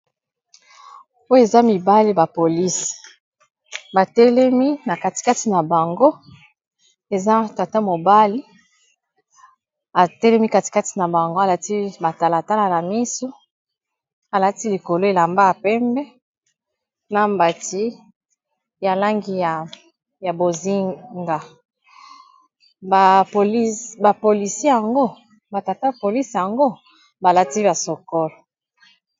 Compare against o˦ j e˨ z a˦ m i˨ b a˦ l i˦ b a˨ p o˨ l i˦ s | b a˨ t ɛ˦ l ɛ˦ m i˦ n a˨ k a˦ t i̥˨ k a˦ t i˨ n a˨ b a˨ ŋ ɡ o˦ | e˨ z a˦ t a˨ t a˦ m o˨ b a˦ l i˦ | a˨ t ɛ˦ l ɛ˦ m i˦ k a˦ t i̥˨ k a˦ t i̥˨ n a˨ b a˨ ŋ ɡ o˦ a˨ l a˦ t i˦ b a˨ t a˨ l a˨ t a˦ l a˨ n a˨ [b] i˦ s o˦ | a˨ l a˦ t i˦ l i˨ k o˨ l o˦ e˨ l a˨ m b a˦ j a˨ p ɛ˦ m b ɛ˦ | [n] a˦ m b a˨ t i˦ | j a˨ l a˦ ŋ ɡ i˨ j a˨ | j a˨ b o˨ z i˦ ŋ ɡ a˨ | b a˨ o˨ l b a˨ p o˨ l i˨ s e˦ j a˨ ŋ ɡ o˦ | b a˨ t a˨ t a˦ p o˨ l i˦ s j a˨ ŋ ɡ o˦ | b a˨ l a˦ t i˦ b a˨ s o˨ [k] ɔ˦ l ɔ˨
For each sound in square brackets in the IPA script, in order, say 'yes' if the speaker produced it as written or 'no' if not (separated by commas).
no, yes, yes